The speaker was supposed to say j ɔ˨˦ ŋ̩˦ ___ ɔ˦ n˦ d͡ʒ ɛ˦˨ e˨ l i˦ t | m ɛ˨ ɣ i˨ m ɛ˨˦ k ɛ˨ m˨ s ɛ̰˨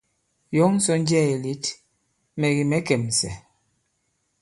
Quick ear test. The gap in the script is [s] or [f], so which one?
s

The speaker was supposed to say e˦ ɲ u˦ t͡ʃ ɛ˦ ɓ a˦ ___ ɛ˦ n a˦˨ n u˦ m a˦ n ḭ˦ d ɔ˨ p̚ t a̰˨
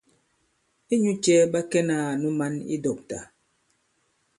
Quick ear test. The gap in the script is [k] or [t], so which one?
k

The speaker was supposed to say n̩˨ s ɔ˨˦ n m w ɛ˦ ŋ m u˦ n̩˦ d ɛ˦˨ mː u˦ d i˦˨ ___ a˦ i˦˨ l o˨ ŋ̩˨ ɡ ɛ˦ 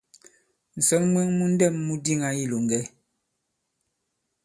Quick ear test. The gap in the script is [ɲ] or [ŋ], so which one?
ŋ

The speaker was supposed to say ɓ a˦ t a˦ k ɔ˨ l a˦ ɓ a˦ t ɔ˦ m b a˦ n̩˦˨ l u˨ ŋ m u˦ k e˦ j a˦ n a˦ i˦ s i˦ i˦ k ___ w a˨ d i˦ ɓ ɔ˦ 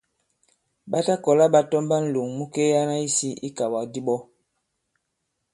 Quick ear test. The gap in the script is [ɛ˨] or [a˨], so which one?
a˨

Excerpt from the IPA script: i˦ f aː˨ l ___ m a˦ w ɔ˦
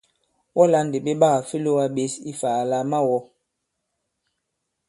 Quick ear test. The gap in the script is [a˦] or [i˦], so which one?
a˦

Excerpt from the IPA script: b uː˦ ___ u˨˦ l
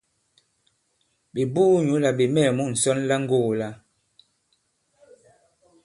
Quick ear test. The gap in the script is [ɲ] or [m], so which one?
ɲ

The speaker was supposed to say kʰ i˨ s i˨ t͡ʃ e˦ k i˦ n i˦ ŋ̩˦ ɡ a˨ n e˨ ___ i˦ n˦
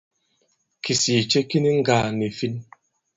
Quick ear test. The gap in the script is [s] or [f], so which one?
f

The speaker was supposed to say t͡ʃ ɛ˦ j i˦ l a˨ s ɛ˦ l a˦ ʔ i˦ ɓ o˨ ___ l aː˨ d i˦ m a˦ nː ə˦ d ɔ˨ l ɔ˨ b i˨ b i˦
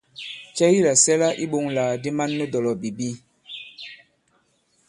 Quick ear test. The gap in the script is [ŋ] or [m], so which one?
ŋ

